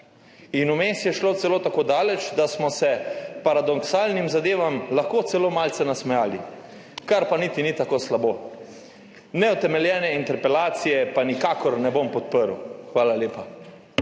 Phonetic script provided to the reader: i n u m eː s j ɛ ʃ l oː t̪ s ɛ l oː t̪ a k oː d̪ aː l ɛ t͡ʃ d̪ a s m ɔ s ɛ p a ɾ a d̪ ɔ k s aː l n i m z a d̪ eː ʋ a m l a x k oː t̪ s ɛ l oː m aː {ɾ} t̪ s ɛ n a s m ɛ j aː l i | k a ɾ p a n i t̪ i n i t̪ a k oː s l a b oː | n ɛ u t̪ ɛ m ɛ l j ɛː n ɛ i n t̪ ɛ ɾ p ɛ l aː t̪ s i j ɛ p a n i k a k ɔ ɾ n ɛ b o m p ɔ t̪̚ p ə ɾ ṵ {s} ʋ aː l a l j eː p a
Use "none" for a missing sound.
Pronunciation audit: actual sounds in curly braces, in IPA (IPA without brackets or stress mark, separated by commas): l, x